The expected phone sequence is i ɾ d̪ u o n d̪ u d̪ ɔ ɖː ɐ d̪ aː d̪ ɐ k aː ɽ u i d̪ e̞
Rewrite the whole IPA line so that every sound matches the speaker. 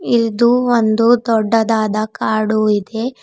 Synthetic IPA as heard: i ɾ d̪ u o n d̪ u d̪ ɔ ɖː ɐ d̪ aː d̪ ɐ k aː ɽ u i d̪ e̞